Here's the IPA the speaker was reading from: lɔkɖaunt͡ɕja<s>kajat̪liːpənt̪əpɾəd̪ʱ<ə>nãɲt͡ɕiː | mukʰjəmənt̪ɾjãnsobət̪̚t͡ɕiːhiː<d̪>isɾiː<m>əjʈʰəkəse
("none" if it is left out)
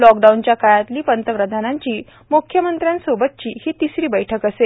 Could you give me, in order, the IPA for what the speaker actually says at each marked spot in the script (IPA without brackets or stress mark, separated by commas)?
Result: none, a, t̪, b